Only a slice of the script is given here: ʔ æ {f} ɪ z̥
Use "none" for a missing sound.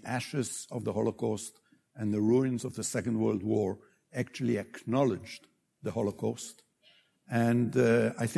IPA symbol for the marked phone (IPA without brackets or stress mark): ʃ